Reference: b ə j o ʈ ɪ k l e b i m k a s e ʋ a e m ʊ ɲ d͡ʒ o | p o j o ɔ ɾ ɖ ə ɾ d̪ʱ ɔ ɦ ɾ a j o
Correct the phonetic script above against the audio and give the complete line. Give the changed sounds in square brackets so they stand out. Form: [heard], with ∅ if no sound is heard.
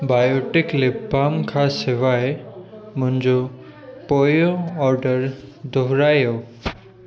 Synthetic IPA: b [a] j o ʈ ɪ k l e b [a] m [kʰ] a s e ʋ a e m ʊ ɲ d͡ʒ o | p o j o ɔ ɾ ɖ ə ɾ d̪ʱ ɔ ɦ ɾ a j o

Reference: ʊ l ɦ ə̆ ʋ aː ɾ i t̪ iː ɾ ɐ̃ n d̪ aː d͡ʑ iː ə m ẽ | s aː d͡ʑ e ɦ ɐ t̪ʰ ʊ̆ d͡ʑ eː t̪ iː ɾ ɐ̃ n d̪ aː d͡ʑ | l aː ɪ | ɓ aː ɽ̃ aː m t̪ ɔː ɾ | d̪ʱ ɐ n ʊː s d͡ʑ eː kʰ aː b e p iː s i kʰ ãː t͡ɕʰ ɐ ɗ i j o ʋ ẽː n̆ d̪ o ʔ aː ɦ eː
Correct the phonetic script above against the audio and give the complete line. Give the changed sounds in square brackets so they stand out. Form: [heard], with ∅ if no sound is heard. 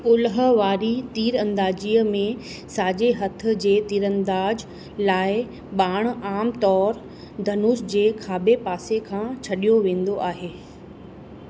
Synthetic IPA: ʊ l ɦ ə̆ ʋ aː ɾ i t̪ iː ɾ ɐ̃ n d̪ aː d͡ʑ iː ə m ẽ | s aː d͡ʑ e ɦ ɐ t̪ʰ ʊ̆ d͡ʑ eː t̪ iː ɾ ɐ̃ n d̪ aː d͡ʑ | l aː ɪ | ɓ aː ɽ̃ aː m t̪ ɔː ɾ | d̪ʱ ɐ n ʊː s d͡ʑ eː kʰ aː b e p [aː] s [e] kʰ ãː t͡ɕʰ ɐ ɗ i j o ʋ ẽː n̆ d̪ o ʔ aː ɦ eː

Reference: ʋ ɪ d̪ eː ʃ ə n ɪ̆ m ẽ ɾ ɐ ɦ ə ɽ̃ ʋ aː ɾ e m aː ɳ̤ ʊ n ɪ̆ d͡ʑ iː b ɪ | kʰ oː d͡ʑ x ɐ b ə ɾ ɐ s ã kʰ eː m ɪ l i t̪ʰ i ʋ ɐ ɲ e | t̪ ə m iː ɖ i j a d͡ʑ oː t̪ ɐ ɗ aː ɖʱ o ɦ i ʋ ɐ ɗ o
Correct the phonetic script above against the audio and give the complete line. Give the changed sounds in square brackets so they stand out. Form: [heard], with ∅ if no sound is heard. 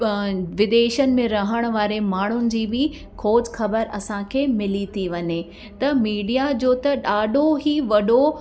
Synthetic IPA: ʋ ɪ d̪ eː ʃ ə n ɪ̆ m ẽ ɾ ɐ ɦ ə ɽ̃ ʋ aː ɾ e m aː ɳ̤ ʊ n ɪ̆ d͡ʑ iː b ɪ | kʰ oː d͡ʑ x ɐ b ə ɾ ɐ s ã kʰ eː m ɪ l i t̪ʰ i ʋ ɐ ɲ e | t̪ [ɐ] m iː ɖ i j a d͡ʑ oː t̪ ɐ ɗ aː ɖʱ o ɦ i ʋ ɐ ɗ o

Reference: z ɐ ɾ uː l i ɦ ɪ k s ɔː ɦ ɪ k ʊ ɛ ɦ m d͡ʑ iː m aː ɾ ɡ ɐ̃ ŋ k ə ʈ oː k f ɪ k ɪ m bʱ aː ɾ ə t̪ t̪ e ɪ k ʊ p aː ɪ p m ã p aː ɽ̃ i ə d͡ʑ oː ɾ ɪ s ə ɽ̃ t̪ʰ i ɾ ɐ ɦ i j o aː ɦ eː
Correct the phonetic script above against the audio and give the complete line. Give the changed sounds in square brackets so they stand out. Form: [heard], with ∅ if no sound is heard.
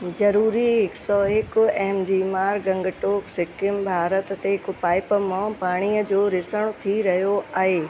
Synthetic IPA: z ɐ ɾ uː [ɾ] i ɦ ɪ k s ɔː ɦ ɪ k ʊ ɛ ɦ m d͡ʑ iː m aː ɾ ɡ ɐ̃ ŋ [ɡ] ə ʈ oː k [s] ɪ k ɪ m bʱ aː ɾ ə t̪ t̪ e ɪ k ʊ p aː ɪ p m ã p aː ɽ̃ i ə d͡ʑ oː ɾ ɪ s ə ɽ̃ t̪ʰ i ɾ ɐ ɦ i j o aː ɦ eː

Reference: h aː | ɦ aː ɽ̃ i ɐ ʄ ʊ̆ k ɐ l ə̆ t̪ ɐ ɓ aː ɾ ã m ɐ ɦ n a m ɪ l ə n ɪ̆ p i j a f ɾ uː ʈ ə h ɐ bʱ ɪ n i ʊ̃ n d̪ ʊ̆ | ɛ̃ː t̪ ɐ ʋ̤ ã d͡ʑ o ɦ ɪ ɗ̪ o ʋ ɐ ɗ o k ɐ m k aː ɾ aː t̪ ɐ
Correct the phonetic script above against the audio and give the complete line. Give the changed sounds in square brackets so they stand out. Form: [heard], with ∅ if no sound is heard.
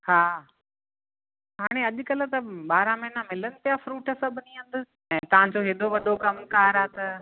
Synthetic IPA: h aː | ɦ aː ɽ̃ [e] ɐ ʄ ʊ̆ k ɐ l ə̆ t̪ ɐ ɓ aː ɾ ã m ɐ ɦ n a m ɪ l ə n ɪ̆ p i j a f ɾ uː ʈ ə [s] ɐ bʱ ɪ n i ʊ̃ n d̪ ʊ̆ | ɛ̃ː t̪ ɐ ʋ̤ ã d͡ʑ o ɦ ɪ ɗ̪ o ʋ ɐ ɗ o k ɐ m k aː ɾ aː t̪ ɐ

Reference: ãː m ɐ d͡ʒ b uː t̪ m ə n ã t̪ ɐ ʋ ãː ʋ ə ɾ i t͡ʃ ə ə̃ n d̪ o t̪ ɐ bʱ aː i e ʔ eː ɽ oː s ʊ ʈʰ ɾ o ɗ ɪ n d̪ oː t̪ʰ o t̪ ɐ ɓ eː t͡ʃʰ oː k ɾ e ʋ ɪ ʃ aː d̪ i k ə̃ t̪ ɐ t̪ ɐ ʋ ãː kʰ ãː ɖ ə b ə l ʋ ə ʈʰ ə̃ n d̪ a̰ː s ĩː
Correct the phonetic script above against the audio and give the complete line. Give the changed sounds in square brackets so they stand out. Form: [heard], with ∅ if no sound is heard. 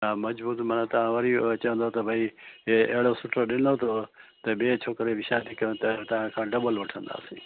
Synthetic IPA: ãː m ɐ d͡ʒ b uː t̪ m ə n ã t̪ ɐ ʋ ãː ʋ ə ɾ i t͡ʃ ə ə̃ n d̪ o t̪ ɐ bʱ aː i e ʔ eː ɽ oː s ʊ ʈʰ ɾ o ɗ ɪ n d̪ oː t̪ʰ o t̪ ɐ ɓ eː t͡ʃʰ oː k ɾ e ʋ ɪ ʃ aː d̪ i k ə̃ t̪ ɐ t̪ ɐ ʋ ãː kʰ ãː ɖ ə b ə l ʋ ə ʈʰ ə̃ n d̪ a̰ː s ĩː

